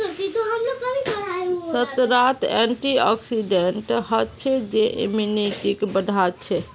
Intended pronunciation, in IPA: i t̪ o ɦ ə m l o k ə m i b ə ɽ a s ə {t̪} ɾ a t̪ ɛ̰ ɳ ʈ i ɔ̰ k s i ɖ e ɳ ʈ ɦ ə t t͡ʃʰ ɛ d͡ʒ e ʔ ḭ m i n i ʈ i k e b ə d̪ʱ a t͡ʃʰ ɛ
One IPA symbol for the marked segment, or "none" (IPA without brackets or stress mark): t̪